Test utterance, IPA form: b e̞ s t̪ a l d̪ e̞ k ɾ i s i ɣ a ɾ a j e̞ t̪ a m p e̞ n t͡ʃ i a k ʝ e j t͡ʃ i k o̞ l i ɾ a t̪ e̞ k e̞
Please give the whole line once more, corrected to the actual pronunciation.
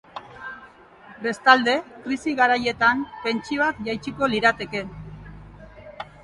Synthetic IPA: b e̞ s t̪ a l d̪ e̞ k ɾ i s i ɣ a ɾ a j e̞ t̪ a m p e̞ n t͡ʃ i a k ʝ a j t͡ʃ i k o̞ l i ɾ a t̪ e̞ k e̞